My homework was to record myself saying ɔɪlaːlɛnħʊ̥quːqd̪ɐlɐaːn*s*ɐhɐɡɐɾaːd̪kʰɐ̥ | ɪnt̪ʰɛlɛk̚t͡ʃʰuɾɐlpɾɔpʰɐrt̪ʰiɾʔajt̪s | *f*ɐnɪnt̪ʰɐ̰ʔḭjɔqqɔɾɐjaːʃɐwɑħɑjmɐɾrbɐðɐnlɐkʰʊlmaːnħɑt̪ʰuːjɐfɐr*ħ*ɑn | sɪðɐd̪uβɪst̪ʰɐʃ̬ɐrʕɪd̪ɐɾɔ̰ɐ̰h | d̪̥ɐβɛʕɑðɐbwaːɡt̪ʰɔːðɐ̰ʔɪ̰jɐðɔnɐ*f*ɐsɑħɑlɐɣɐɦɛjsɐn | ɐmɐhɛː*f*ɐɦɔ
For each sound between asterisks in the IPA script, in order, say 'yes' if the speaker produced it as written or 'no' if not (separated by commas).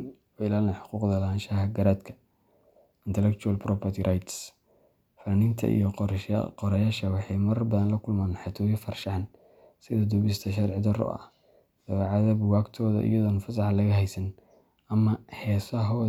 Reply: no, yes, no, yes, no